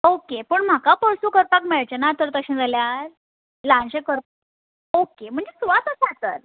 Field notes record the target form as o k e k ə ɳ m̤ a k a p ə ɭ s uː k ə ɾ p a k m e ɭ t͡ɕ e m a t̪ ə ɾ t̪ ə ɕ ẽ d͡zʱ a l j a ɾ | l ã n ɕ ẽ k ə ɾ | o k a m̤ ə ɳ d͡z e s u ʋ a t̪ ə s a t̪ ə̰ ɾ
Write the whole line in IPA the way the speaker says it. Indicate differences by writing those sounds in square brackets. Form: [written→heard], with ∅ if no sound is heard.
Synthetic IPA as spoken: o k e [k→p] ə ɳ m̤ a k a p ə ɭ s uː k ə ɾ p a k m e ɭ t͡ɕ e [m→n] a t̪ ə ɾ t̪ ə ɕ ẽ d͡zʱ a l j a ɾ | l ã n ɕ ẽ k ə ɾ | o k [a→e] m̤ ə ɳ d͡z e s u ʋ a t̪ ə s a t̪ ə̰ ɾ